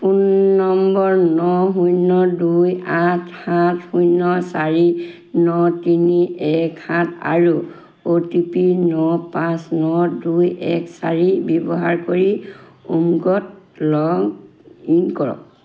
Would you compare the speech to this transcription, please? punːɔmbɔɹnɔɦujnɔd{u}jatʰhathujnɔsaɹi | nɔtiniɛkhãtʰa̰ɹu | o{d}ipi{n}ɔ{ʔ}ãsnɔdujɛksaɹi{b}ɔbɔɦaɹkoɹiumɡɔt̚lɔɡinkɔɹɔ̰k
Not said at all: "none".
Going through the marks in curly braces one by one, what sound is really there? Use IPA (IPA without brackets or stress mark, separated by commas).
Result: u, t, n, p, b